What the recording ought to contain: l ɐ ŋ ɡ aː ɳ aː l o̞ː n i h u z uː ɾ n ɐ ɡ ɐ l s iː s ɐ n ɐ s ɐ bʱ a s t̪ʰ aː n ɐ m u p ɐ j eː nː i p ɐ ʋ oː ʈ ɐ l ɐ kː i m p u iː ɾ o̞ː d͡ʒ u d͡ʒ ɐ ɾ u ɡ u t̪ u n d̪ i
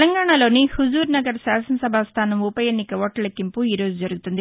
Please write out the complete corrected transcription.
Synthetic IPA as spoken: l ɐ ŋ ɡ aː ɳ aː l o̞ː n i h u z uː ɾ n ɐ ɡ ɐ ɾ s aː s ɐ n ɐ s ɐ bʱ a s t̪ʰ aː n ɐ m u p ɐ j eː nː i k ɐ ʋ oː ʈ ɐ l ɐ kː i m p u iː ɾ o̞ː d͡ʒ u d͡ʒ ɐ ɾ u ɡ u t̪ u n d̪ i